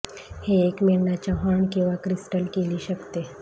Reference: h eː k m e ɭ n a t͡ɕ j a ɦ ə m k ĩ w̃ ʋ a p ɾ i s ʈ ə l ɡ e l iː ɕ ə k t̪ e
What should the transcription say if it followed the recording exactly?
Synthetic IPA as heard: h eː k m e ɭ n a t͡ɕ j a ɦ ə ɳ k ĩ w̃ ʋ a k ɾ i s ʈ ə l k e l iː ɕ ə k t̪ e

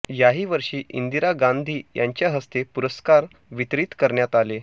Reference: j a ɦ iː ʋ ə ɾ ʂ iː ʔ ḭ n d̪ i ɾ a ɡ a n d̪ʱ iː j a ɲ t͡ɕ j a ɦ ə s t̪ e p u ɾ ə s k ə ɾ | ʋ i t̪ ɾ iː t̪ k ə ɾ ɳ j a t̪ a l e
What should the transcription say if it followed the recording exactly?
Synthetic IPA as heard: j a ɦ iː ʋ ə ɾ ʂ iː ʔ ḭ n d̪ i ɾ a ɡ a n d̪ʱ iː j a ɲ t͡ɕ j a ɦ ə s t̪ e p u ɾ ə s k a ɾ | ʋ i t̪ ɾ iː t̪ k ə ɾ ɳ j a t̪ a l e

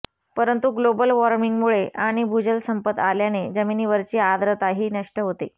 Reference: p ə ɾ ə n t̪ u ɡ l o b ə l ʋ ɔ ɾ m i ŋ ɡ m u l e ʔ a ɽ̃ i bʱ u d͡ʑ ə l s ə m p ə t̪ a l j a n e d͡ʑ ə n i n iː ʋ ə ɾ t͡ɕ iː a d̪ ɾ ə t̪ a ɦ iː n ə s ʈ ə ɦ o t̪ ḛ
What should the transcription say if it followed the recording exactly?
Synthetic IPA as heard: p ə ɾ ə n t̪ u ɡ l o b ə l ʋ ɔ ɾ m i ŋ ɡ m u ɭ e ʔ a ɽ̃ i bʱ u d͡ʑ ə l s ə m p ə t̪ a l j a n e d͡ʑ ə m i n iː ʋ ə ɾ t͡ɕ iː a d̪ ɾ ə t̪ a ɦ iː n ə ʂ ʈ ə ɦ o t̪ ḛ

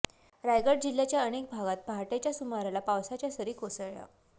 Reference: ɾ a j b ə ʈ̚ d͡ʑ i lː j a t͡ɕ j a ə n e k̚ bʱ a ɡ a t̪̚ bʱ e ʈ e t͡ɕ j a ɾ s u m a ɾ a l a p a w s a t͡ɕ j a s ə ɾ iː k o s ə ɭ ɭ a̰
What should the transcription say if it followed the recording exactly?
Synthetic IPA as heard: ɾ a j ɡ ə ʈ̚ d͡ʑ i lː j a t͡ɕ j a ə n e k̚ bʱ a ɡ a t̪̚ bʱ a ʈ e t͡ɕ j a s u m a ɾ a l a p a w s a t͡ɕ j a s ə ɾ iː k o s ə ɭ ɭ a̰

